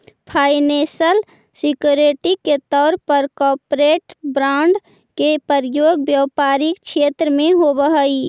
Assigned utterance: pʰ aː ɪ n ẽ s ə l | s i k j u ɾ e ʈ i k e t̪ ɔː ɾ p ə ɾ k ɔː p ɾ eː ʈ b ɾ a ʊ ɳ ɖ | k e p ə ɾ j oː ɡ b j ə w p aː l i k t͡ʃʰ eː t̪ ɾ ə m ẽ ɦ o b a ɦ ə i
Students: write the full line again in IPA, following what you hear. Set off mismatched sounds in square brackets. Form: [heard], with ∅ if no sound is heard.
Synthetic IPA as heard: pʰ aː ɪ n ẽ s ə l | s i k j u ɾ e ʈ i k e t̪ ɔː ɾ p ə ɾ k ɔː p ɾ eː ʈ b ɾ a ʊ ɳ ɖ | k e p ə ɾ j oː ɡ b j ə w p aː [ɾ] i k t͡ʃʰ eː t̪ ɾ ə m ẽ ɦ o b [ə] ɦ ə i